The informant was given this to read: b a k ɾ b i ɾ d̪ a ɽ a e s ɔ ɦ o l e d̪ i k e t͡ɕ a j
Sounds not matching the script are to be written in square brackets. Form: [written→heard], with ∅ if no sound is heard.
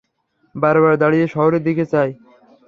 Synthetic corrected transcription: b a [k→∅] ɾ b [i→a] ɾ d̪ a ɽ [a→i] e [s→ʃ] ɔ ɦ o [l→ɾ] e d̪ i k e t͡ɕ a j

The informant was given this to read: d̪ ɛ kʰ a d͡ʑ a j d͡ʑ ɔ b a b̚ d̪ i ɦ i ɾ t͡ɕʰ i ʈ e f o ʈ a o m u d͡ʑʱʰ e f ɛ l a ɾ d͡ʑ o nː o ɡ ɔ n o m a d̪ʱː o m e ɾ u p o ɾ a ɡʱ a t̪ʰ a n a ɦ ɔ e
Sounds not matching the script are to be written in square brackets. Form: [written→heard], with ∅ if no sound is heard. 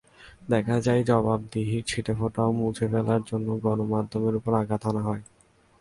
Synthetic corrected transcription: d̪ ɛ kʰ a d͡ʑ a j d͡ʑ ɔ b a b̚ d̪ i ɦ i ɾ t͡ɕʰ i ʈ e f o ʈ a o m u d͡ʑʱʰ e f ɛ l a ɾ d͡ʑ o nː o ɡ ɔ n o m a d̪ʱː o m e ɾ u p o ɾ a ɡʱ a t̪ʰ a n a ɦ ɔ e

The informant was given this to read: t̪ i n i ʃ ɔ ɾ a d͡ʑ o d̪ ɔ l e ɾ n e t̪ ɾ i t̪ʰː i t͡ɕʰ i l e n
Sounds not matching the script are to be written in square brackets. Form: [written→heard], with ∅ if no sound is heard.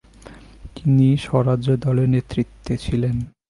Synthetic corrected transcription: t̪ i n i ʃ ɔ ɾ a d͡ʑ o d̪ ɔ l e ɾ n e t̪ ɾ i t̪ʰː [i→e] t͡ɕʰ i l e n

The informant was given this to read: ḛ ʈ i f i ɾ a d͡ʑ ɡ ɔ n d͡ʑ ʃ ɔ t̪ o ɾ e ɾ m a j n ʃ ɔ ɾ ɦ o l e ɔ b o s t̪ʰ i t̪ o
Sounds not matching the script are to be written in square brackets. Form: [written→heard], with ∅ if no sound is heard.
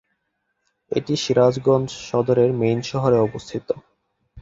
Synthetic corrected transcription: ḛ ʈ i [f→ʃ] i ɾ a d͡ʑ ɡ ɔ n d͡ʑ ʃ ɔ [t̪→d̪] o ɾ e ɾ m [a→e] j n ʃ ɔ [ɾ→∅] ɦ o [l→ɾ] e ɔ b o s t̪ʰ i t̪ o

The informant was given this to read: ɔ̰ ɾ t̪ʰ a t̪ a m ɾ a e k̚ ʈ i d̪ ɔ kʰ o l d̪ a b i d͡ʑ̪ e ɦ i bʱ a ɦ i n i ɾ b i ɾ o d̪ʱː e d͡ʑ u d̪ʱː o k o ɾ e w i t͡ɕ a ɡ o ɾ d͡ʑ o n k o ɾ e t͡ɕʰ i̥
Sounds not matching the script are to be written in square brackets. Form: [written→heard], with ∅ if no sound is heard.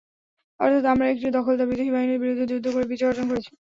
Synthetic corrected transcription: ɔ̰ ɾ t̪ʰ a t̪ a m ɾ a e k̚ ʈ i d̪ ɔ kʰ o l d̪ a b i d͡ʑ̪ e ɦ i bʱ a ɦ i n i ɾ b i ɾ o d̪ʱː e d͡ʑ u d̪ʱː o k o ɾ e [w→b] i t͡ɕ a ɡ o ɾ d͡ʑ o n k o ɾ e t͡ɕʰ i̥

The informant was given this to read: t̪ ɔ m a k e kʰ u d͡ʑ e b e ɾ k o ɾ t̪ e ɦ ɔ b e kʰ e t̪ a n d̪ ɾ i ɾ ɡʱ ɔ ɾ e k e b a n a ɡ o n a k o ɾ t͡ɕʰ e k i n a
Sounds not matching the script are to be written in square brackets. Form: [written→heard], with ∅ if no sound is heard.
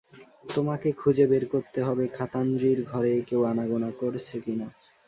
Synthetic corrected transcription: t̪ [ɔ→o] m a k e kʰ u d͡ʑ e b e ɾ k o ɾ t̪ e ɦ ɔ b e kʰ [e→a] t̪ a n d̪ ɾ i ɾ ɡʱ ɔ ɾ e k e [b→w] a n a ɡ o n a k o ɾ t͡ɕʰ e k i n a

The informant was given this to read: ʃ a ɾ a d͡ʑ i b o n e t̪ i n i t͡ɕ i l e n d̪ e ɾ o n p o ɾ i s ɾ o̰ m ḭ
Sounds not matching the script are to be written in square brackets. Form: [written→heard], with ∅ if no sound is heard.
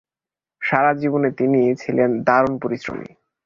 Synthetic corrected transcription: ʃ a ɾ a d͡ʑ i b o n e t̪ i n i [t͡ɕ→t͡ɕʰ] i l e n d̪ [e→a] ɾ o n p o ɾ i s ɾ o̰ m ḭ

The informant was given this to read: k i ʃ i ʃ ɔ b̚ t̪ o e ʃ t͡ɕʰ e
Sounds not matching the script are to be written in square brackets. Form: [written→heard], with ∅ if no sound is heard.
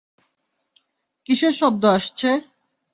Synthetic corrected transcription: k i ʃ [i→e] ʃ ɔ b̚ [t̪→d̪] o [e→a] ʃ t͡ɕʰ e

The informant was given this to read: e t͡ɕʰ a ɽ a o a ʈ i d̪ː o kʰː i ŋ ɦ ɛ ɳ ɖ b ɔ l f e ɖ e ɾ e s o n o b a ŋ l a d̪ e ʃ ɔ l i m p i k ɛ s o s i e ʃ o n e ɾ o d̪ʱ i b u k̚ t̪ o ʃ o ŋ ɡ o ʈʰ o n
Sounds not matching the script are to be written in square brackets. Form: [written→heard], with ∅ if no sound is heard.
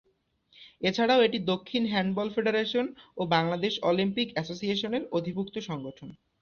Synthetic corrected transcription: e t͡ɕʰ a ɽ a o [a→e] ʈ i [d̪ː→d̪] o kʰː i [ŋ→n] ɦ ɛ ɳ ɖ b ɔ l f e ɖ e ɾ e [s→ʃ] o n o b a ŋ l a d̪ e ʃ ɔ l i m p i k ɛ s o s i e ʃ o n e ɾ o d̪ʱ i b u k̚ t̪ o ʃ [o→ɔ] ŋ ɡ o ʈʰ o n

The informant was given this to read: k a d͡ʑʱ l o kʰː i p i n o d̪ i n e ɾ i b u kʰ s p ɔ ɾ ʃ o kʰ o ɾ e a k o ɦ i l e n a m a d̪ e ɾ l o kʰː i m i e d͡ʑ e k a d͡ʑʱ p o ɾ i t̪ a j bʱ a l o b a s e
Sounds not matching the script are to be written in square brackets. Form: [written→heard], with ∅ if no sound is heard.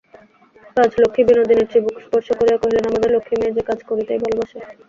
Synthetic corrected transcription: k a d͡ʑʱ l o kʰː i [p→b] i n o d̪ i n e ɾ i b u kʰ s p ɔ ɾ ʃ o [kʰ→k] o ɾ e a k o ɦ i l e n a m a d̪ e ɾ l o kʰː i m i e d͡ʑ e k a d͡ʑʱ [p→k] o ɾ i t̪ a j bʱ a l o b a [s→ʃ] e

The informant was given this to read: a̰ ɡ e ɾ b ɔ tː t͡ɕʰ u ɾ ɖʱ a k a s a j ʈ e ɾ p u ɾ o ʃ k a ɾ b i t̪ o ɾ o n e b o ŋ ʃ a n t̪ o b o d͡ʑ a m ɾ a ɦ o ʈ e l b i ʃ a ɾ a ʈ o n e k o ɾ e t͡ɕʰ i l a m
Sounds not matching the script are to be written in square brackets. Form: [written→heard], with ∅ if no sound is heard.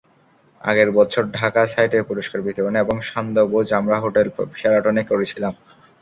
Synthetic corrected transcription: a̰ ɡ e ɾ b ɔ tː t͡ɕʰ [u→o] ɾ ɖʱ a k a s a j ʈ e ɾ p u ɾ o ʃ k a ɾ b i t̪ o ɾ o n e b o ŋ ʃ a n [t̪→d̪] o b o d͡ʑ a m ɾ a ɦ o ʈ e l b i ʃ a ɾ a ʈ o n e k o ɾ e t͡ɕʰ i l a m

